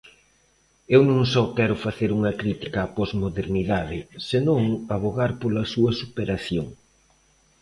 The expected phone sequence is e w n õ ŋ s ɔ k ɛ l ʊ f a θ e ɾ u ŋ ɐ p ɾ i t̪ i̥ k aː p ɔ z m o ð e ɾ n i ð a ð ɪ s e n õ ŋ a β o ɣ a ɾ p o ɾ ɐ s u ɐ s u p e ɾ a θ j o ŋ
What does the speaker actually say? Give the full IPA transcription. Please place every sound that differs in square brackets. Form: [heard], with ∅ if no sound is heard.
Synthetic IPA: e w n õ ŋ s ɔ k ɛ [ɾ] ʊ f a θ e ɾ u ŋ ɐ [k] ɾ i t̪ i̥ k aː p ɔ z m o ð e ɾ n i ð a ð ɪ s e n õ ŋ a β o ɣ a ɾ p o [l] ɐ s u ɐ s u p e ɾ a θ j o ŋ